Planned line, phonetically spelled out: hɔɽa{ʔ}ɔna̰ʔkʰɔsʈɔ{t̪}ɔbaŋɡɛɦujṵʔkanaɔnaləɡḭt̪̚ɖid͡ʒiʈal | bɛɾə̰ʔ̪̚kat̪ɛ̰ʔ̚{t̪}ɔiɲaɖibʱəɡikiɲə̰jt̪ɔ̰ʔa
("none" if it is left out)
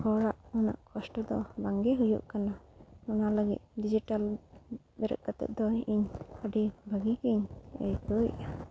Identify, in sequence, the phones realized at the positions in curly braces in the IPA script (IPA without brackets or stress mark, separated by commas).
ʔ, d̪, d̪